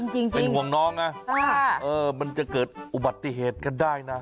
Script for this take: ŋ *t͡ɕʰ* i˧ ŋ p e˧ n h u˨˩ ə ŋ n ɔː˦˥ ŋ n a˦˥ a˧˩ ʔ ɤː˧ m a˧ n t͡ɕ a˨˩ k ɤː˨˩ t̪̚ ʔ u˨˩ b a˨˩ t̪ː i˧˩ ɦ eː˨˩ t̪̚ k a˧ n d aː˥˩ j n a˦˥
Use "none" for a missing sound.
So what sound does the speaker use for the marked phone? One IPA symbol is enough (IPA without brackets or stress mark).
t͡ɕ